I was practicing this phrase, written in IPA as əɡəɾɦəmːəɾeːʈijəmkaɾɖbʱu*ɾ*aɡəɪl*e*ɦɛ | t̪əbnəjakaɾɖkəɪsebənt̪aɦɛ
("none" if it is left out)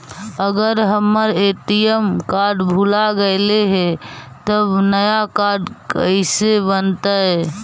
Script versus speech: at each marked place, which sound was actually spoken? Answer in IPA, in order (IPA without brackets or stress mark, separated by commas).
l, e